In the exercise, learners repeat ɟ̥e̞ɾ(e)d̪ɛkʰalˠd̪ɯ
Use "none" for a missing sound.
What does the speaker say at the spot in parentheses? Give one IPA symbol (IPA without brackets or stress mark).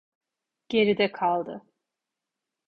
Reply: i